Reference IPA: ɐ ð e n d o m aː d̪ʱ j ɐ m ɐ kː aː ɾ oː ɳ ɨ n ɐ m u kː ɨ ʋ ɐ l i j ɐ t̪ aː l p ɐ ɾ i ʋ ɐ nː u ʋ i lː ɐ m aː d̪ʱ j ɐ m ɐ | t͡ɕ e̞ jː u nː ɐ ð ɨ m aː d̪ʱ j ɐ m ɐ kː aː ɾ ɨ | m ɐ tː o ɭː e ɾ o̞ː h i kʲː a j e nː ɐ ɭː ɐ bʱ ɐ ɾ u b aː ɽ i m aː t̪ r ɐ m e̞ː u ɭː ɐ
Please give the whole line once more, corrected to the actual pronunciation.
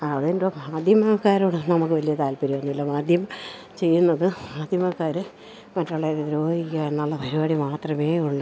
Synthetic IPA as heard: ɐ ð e n d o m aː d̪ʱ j ɐ m ɐ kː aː ɾ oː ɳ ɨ n ɐ m u kː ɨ ʋ ɐ l i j ɐ t̪ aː l p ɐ ɾ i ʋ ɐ nː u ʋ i lː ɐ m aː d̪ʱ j ɐ m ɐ | t͡ɕ e̞ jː u nː ɐ ð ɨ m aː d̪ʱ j ɐ m ɐ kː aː ɾ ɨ | m ɐ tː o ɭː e ɾ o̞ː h i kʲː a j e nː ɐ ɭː ɐ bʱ ɐ ɾ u b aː ɽ i m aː t̪ r ɐ m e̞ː u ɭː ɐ